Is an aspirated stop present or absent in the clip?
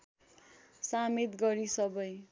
absent